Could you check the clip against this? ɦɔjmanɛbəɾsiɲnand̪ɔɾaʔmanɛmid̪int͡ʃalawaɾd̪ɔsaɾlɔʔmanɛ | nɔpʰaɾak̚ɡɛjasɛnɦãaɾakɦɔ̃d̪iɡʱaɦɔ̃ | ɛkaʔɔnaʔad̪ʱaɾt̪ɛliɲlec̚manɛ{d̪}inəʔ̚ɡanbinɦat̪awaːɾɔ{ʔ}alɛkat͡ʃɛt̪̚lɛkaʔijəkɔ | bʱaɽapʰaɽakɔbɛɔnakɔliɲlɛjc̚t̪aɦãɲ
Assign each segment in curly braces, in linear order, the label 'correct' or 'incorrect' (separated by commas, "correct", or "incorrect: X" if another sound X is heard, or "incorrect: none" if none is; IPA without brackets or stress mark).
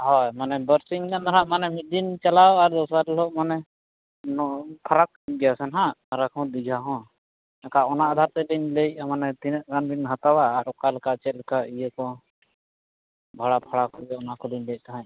incorrect: t̪, incorrect: k